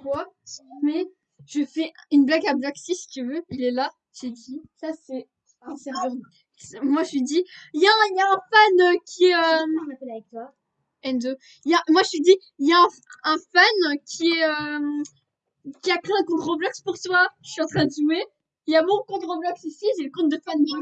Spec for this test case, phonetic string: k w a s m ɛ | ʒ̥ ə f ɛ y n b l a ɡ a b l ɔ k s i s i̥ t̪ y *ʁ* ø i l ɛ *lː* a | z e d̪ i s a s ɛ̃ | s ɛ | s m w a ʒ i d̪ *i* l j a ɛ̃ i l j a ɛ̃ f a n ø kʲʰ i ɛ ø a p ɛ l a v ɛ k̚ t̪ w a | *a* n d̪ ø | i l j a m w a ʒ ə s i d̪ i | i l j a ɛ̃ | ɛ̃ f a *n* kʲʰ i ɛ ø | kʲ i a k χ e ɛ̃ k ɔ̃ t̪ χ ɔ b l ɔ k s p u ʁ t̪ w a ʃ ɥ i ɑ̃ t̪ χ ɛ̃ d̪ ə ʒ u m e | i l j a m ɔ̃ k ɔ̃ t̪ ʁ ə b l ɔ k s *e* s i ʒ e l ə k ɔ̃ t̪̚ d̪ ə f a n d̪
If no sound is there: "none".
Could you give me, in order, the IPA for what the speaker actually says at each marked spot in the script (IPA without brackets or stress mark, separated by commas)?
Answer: v, l, i, ɛ, n, i